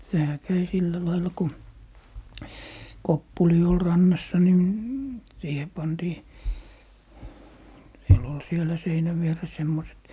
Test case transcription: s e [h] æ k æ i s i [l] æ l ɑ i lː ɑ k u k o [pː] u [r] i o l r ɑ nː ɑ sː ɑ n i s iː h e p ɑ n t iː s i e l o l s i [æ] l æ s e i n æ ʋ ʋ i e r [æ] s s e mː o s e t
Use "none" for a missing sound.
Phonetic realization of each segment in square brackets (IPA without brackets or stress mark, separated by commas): h, lː, pː, l, e, e